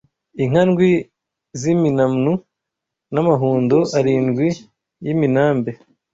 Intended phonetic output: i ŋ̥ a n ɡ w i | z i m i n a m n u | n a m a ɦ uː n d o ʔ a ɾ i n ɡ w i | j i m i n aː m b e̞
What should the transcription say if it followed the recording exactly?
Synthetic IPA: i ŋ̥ a n ɡ w i | z i m i n a m n u | n a m a ɦ uː n d o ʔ a ɾ i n ɡ w i | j i m i n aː m b e̞